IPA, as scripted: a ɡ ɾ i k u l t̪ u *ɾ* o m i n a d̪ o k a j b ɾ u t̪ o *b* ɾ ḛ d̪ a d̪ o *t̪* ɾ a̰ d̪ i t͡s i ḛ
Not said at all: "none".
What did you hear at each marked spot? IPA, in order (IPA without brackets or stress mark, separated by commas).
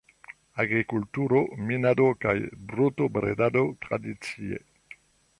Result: ɾ, b, t̪